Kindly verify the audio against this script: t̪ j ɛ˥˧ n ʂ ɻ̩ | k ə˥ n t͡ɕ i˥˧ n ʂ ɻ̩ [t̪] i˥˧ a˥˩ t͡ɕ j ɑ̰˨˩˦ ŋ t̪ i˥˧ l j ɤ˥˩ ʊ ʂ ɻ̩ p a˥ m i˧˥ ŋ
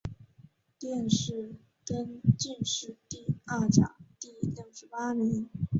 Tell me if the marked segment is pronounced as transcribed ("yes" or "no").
yes